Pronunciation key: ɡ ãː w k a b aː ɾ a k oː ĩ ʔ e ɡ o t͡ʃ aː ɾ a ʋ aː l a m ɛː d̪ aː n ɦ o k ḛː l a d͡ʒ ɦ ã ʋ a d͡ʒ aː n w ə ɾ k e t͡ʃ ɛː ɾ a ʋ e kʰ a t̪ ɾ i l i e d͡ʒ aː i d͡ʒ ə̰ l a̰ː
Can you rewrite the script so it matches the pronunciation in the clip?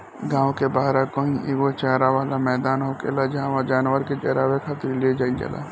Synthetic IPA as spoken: ɡ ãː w k e b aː ɾ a k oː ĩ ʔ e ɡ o t͡ʃ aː ɾ a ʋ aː l a m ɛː d̪ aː n ɦ o k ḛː l a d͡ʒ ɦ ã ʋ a d͡ʒ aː n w ə ɾ k e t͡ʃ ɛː ɾ a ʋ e kʰ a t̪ ɾ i l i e d͡ʒ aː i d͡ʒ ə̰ l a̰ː